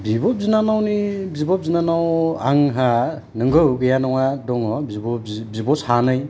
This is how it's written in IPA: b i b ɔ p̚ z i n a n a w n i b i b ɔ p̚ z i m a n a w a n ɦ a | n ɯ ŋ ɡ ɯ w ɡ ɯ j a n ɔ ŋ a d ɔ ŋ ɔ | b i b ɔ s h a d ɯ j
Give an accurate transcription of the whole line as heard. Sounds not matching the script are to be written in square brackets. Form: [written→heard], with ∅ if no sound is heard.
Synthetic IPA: b i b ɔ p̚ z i n a n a w n i b i b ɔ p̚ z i [m→n] a n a w a [n→ŋ] ɦ a | n ɯ ŋ ɡ ɯ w ɡ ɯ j a n ɔ ŋ a d ɔ ŋ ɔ | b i b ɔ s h a [d→n] ɯ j